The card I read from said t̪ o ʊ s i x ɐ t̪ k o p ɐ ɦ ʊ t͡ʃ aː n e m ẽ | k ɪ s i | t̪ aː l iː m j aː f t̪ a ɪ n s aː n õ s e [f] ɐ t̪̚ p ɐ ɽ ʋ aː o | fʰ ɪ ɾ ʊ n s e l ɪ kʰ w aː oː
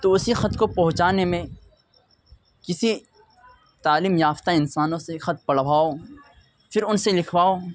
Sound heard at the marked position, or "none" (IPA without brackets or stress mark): x